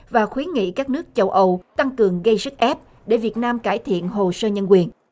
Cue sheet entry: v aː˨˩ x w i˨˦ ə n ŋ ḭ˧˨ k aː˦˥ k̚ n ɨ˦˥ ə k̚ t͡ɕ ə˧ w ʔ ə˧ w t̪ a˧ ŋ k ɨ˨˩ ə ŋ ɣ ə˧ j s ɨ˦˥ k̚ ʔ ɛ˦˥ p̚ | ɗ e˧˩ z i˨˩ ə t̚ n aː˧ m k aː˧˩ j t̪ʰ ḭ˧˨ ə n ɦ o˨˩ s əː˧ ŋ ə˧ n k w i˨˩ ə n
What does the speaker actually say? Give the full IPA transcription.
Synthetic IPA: v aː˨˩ x w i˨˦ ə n ŋ ḭ˧˨ k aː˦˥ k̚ n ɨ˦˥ ə k̚ t͡ɕ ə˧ w ʔ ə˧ w t̪ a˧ ŋ k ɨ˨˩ ə ŋ ɣ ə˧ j s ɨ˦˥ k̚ ʔ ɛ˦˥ p̚ | ɗ e˧˩ v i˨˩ ə t̚ n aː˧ m k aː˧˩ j t̪ʰ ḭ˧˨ ə n ɦ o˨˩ s əː˧ ɲ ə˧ n k w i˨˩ ə n